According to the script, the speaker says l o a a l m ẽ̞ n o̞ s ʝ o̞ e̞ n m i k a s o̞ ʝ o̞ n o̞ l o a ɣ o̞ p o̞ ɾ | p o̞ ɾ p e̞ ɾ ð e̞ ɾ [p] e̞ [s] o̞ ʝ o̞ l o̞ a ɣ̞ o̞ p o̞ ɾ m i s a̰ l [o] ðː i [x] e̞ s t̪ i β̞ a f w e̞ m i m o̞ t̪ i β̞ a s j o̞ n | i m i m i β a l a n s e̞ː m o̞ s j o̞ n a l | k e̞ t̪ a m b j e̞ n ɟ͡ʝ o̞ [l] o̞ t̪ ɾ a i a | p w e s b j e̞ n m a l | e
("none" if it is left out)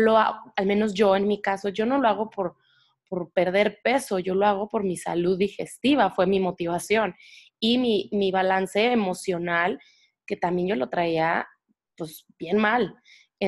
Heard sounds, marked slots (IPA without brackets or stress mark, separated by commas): p, s, u, x, l